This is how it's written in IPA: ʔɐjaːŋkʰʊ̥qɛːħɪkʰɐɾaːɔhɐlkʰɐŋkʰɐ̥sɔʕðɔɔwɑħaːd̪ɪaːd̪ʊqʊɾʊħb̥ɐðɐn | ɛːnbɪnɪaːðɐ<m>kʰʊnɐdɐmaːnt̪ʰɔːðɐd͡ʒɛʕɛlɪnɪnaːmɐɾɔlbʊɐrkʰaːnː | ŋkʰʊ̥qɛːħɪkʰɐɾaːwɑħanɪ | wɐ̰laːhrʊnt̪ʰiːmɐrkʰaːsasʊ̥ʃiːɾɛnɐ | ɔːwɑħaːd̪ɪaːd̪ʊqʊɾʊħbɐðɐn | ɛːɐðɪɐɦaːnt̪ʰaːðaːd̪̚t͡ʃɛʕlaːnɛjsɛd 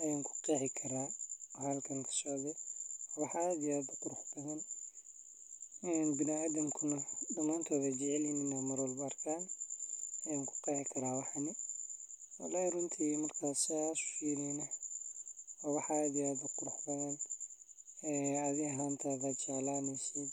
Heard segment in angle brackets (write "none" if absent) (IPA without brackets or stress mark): m